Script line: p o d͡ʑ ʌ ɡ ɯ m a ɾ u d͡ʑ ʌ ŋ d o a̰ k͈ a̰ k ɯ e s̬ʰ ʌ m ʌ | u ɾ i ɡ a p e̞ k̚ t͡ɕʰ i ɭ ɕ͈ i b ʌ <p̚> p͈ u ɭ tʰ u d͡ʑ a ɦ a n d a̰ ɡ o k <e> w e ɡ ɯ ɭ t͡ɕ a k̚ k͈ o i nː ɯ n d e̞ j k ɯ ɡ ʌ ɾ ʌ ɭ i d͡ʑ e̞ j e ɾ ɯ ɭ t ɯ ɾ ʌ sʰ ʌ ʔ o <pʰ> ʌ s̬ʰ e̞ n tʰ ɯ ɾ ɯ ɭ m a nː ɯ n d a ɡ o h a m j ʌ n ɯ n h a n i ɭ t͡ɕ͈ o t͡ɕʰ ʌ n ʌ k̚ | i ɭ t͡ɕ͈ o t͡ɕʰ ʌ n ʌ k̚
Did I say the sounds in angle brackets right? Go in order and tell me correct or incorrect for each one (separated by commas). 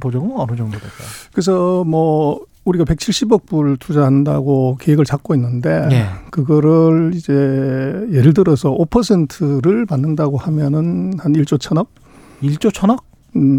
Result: incorrect, correct, correct